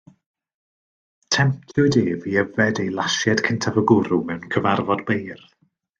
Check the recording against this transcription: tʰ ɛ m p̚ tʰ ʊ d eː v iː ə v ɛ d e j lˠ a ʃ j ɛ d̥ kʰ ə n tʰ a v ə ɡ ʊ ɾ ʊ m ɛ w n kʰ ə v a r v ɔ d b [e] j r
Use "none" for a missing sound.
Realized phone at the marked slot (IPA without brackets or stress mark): e